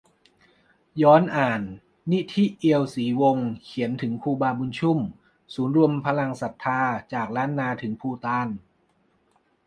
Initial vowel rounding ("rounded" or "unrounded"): rounded